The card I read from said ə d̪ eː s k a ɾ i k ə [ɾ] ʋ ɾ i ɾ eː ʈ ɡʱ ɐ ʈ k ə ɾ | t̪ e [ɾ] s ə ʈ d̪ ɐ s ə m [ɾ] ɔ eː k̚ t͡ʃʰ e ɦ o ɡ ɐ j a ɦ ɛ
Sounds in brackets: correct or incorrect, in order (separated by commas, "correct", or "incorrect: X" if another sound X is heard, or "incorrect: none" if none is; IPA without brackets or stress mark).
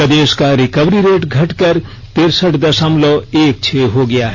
incorrect: none, correct, incorrect: l